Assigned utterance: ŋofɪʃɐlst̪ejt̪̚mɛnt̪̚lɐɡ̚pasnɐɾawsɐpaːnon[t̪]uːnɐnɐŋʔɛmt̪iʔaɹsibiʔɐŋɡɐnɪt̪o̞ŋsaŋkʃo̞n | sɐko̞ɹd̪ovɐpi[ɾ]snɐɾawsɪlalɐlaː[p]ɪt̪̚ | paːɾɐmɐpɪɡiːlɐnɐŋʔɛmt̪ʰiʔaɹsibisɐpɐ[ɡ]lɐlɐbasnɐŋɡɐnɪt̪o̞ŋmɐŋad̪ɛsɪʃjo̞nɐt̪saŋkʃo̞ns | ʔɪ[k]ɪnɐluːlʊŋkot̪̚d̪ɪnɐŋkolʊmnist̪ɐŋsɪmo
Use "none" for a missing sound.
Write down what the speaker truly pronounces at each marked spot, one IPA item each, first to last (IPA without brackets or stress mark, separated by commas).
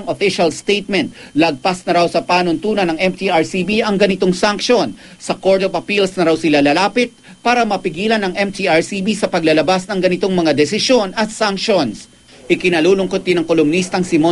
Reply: t̪, l, p, ɡ, k